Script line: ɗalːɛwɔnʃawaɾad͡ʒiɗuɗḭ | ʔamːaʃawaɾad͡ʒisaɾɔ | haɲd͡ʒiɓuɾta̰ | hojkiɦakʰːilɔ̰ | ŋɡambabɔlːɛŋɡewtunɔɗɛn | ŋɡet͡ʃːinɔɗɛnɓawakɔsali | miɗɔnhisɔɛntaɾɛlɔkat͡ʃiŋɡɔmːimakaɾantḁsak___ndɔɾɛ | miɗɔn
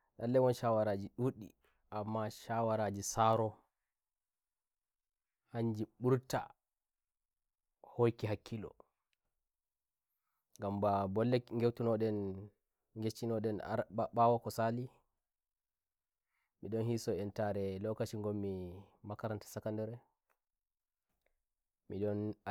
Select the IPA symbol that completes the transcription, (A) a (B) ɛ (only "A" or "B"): A